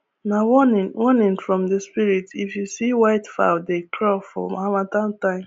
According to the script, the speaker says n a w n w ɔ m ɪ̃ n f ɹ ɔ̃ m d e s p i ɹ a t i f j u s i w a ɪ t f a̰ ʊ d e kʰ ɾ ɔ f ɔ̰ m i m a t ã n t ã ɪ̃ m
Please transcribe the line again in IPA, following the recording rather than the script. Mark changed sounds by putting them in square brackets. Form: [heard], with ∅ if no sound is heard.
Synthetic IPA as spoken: n a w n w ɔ [n] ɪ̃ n f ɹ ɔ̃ m d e s p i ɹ [i] t i f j u s i w a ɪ t f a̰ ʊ d e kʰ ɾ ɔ f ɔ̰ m [a] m a t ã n t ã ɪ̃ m